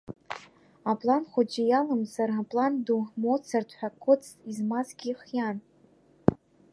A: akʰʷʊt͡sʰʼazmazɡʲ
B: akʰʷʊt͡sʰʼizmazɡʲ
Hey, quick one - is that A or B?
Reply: B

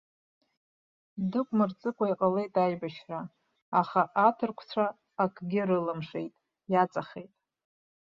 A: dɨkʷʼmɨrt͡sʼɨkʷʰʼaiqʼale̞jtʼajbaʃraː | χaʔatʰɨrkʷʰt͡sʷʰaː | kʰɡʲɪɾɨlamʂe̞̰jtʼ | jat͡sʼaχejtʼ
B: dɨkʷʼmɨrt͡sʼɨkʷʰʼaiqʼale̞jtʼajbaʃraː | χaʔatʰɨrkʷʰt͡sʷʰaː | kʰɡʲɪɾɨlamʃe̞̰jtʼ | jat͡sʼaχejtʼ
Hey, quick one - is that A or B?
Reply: A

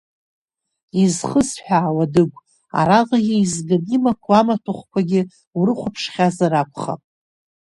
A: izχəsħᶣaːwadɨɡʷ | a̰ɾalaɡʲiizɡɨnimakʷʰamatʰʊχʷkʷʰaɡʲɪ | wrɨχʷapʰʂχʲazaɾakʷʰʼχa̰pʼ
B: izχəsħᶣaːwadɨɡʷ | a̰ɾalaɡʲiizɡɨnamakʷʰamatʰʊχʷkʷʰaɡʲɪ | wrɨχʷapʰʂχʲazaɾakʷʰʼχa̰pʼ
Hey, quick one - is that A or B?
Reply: A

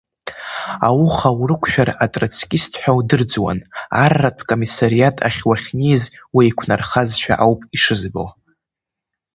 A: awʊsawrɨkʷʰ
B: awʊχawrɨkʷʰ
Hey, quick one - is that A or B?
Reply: B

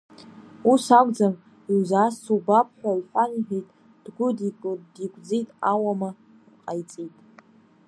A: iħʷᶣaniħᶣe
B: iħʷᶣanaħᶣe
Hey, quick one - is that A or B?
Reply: A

